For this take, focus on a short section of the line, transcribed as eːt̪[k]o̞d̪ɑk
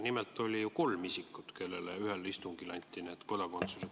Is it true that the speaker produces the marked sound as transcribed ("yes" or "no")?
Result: yes